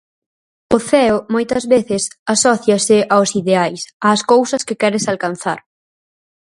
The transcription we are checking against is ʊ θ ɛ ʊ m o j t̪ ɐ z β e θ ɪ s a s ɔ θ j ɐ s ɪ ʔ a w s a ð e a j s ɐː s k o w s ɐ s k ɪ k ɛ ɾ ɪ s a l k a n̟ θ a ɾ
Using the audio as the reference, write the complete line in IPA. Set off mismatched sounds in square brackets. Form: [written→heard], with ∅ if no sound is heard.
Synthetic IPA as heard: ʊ θ ɛ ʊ m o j t̪ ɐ z β e θ ɪ s a s ɔ θ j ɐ s ɪ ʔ a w s [a→i] ð e a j s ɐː s k o w s ɐ s k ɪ k ɛ ɾ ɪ s a l k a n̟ θ a ɾ